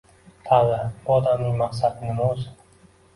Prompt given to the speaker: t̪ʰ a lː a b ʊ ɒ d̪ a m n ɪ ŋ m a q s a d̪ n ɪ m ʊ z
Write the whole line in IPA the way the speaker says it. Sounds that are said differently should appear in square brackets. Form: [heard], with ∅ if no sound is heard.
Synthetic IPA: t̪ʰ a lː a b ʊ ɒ d̪ a m n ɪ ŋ m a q s a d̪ n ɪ m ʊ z